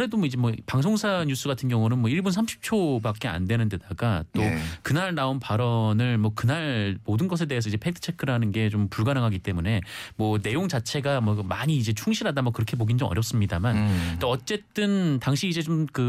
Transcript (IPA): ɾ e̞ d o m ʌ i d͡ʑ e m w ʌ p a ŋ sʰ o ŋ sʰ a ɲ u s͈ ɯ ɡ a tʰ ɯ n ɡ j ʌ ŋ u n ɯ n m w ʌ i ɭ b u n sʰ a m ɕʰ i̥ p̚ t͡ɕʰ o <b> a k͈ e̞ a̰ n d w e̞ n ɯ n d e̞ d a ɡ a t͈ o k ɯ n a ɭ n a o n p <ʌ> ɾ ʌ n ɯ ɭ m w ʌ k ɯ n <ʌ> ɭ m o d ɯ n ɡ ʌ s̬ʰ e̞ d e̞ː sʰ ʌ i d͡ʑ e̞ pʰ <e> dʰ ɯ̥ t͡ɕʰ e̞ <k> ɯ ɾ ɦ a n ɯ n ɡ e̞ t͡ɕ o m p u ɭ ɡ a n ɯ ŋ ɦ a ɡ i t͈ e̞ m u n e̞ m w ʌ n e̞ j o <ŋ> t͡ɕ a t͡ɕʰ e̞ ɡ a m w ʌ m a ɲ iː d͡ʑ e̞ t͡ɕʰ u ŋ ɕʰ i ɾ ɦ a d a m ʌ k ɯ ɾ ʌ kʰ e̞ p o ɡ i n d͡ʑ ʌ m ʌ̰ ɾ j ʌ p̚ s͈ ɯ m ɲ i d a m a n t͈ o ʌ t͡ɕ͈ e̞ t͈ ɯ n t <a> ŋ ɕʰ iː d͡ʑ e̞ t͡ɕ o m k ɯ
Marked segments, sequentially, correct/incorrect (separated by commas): correct, incorrect, incorrect, correct, incorrect, correct, correct